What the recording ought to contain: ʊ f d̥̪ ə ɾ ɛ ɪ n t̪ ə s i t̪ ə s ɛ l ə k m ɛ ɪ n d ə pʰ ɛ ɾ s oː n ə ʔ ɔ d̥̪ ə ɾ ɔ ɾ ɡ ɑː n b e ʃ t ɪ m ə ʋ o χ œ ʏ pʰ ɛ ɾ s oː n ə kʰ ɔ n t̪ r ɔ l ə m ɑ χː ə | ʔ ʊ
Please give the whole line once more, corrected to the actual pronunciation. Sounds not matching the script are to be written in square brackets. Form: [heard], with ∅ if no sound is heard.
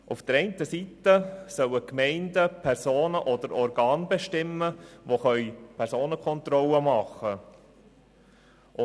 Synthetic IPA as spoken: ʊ f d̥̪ ə ɾ ɛ ɪ n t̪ ə s i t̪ ə s [œ] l ə k m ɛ ɪ n d ə pʰ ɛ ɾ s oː n ə ʔ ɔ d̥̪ ə ɾ ɔ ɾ ɡ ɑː n b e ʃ t ɪ m ə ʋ o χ œ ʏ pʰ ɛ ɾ s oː n ə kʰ ɔ n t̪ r ɔ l ə m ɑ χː ə | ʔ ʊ